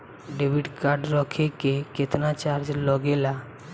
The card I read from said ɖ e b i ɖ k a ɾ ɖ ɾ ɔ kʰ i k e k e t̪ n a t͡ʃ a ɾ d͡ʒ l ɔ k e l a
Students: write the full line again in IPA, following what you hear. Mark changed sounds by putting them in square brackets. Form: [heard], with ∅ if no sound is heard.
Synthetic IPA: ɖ e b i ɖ k a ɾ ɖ ɾ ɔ kʰ [e] k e k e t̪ n a t͡ʃ a ɾ d͡ʒ l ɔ [ɡ] e l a